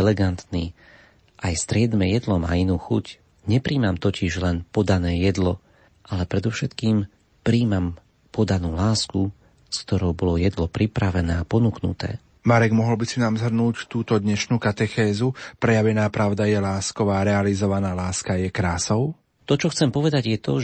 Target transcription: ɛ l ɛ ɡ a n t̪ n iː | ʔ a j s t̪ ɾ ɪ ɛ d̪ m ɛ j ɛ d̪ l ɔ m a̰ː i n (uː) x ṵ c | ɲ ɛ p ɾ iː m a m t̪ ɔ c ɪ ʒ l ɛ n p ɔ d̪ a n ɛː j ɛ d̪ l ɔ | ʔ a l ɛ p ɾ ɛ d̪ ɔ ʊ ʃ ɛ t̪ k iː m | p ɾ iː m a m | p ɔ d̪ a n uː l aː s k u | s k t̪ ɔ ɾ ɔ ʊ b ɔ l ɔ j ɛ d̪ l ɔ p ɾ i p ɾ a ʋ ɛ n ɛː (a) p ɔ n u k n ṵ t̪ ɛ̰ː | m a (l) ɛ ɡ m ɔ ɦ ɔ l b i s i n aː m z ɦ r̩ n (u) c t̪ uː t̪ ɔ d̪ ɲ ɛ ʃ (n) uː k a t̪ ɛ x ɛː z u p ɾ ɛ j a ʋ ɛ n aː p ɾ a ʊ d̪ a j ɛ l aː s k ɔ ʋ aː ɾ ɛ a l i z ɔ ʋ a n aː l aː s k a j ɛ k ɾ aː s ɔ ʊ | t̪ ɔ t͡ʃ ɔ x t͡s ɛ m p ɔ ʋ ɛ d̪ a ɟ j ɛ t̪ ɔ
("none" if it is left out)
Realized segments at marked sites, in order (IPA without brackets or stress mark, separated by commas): uː, a, ɾ, uː, n